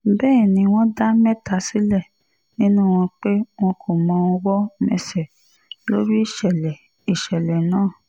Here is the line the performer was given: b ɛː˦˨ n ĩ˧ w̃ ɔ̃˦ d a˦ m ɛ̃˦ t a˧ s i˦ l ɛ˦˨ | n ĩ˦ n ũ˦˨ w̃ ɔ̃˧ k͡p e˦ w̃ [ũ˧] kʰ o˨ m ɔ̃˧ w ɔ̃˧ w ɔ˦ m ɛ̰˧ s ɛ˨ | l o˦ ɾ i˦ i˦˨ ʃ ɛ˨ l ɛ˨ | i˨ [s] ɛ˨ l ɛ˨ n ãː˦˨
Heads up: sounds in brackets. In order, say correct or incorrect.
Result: incorrect: ɔ̃˧, incorrect: ʃ

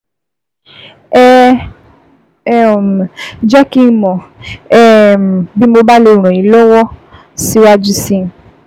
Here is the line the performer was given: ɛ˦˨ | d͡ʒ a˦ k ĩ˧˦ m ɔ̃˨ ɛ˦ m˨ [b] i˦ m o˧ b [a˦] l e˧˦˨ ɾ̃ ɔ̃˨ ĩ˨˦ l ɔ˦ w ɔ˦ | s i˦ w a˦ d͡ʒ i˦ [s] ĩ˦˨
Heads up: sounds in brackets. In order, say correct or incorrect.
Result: correct, correct, correct

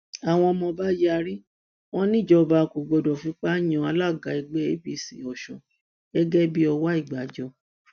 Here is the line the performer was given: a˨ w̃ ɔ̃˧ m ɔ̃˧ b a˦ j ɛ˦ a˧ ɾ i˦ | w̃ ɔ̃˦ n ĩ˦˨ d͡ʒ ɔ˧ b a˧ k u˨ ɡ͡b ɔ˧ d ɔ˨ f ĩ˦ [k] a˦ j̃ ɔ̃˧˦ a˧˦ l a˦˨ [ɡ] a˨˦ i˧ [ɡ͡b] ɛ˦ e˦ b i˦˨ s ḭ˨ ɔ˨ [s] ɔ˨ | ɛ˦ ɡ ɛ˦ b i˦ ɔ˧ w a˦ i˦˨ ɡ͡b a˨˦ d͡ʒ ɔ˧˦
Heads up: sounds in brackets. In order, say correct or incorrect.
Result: incorrect: k͡p, correct, correct, incorrect: ʃ

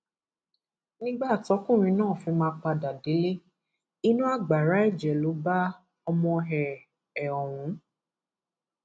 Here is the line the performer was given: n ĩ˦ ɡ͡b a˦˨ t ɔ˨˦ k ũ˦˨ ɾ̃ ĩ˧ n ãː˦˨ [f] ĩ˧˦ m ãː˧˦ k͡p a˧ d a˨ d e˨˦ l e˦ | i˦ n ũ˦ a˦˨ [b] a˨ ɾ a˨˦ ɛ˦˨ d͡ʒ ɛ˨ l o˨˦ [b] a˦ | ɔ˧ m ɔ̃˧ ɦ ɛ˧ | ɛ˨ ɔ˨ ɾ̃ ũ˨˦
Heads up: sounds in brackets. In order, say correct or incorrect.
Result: correct, incorrect: ɡ͡b, correct

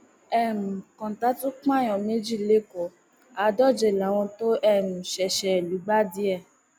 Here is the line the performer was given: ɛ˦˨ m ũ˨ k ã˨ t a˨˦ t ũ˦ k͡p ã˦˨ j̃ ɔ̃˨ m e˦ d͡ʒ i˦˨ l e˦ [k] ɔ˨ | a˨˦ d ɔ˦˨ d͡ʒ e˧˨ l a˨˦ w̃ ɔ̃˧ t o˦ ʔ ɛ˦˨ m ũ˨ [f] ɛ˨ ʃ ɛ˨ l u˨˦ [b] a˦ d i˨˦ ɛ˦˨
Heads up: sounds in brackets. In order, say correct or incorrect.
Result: correct, incorrect: ʃ, incorrect: ɡ͡b

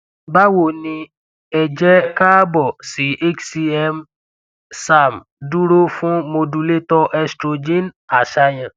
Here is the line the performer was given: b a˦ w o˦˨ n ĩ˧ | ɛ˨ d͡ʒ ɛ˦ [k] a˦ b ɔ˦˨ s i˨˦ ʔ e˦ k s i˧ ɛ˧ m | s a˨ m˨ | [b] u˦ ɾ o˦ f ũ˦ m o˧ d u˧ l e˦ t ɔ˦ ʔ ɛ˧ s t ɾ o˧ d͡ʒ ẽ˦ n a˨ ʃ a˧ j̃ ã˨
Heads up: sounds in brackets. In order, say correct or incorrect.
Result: correct, incorrect: d

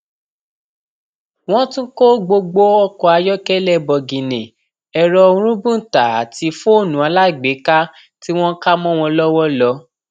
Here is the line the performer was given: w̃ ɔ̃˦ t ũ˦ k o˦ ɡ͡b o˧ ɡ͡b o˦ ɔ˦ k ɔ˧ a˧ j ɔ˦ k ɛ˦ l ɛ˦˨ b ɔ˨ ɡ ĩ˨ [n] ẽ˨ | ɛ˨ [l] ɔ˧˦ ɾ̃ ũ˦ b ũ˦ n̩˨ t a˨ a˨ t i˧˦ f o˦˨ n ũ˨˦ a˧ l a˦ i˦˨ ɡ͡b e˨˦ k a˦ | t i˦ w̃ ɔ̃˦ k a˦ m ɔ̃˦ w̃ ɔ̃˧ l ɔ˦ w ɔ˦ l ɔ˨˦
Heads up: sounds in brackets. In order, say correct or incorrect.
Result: correct, incorrect: ɾ

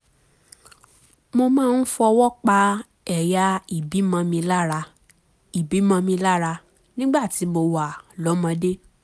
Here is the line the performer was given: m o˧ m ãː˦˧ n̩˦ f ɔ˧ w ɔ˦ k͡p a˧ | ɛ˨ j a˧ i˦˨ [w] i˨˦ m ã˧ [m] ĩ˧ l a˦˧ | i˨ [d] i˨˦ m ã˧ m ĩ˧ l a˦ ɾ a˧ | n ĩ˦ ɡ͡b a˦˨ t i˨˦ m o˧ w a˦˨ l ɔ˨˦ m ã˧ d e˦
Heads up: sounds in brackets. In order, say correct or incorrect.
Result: incorrect: b, correct, incorrect: b

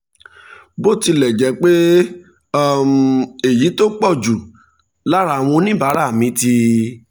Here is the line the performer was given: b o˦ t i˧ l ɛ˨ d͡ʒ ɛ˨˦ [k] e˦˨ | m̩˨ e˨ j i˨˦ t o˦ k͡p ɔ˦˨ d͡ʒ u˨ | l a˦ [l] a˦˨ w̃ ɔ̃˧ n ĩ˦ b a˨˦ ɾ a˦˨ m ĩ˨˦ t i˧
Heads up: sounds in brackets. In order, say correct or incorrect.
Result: incorrect: k͡p, incorrect: ɾ

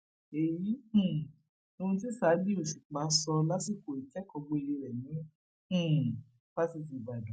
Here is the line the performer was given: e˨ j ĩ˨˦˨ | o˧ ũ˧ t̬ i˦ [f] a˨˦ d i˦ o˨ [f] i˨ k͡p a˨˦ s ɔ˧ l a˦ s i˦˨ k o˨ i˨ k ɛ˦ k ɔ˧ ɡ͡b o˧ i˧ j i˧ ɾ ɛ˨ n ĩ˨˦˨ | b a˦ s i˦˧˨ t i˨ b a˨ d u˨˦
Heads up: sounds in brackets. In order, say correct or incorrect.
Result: incorrect: s, incorrect: ʃ

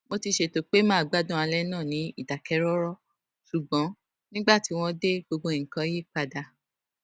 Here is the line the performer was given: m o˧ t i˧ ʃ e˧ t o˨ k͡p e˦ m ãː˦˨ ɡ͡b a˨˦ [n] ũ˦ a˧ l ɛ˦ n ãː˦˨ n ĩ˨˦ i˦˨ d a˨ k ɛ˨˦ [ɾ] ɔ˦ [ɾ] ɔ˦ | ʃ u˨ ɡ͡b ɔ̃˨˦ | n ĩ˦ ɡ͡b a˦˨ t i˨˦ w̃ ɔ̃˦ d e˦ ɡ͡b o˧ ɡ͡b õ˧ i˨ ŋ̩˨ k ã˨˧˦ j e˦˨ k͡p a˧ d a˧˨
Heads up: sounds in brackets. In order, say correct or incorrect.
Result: incorrect: d, correct, correct

